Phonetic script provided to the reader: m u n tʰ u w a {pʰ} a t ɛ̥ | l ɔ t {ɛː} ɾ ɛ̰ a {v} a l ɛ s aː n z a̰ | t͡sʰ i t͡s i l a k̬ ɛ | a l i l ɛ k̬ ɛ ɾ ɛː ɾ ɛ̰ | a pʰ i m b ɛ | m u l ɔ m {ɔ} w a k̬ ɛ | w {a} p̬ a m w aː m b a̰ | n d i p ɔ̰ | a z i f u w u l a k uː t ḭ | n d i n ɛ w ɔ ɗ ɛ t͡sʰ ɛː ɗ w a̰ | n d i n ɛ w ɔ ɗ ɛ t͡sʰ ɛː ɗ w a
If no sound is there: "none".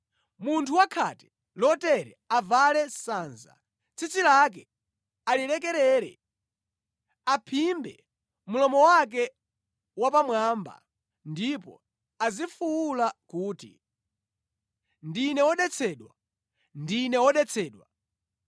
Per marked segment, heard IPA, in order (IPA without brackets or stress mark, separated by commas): kʰ, ɛ, v, ɔ, a